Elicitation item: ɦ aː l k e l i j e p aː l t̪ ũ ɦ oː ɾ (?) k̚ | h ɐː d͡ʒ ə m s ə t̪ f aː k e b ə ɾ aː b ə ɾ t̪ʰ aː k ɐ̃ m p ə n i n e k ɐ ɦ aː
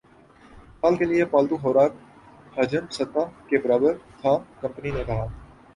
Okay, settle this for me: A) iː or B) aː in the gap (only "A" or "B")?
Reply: B